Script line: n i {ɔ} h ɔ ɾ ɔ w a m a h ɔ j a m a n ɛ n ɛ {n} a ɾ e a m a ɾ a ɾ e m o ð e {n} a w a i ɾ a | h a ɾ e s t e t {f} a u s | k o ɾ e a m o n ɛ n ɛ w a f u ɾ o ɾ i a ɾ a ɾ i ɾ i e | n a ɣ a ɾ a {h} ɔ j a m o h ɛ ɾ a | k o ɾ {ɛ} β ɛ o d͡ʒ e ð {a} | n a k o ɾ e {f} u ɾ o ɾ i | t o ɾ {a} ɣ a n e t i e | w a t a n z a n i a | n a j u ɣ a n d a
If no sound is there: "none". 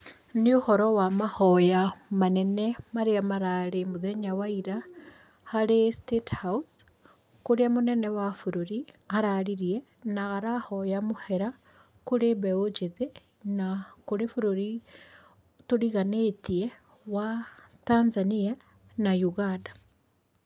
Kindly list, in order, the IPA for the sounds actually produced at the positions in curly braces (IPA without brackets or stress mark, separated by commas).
o, m, ɲ, h, h, e, e, f, i